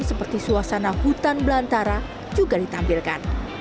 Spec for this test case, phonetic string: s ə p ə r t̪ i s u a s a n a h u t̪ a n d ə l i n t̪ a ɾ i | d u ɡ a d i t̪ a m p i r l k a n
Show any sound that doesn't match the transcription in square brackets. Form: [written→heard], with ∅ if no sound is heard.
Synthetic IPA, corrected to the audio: s ə p ə r t̪ i s u a s a n a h u t̪ a n [d→b] ə l [i→a] n t̪ a ɾ [i→a] | [d→d͡ʒ] u ɡ a d i t̪ a m p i [r→∅] l k a n